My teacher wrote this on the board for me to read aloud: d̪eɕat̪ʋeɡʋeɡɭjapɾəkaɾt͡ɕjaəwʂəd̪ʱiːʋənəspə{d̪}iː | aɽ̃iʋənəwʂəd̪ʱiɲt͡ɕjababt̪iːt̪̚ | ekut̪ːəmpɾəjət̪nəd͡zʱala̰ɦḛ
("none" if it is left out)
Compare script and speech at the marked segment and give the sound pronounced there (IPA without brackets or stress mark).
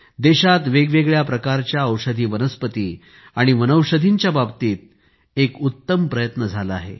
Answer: t̪